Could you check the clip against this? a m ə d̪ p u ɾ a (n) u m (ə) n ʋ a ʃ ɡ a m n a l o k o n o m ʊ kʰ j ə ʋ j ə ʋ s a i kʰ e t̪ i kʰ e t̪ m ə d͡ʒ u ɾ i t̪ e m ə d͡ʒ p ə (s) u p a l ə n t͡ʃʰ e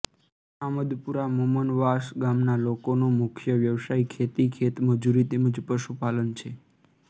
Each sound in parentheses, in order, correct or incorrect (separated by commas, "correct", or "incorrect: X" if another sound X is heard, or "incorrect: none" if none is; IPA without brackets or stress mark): incorrect: m, correct, incorrect: ʃ